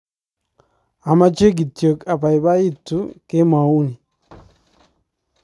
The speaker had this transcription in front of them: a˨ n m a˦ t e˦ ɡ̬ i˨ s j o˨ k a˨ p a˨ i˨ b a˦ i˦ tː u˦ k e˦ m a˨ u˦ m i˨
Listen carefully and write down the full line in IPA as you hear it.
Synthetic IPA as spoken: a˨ m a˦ t͡ʃ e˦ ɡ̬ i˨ t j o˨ k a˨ p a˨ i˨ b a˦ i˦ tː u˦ k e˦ m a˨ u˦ n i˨